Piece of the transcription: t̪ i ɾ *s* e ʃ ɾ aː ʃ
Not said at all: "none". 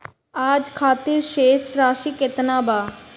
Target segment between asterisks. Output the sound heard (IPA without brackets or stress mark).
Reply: ʃ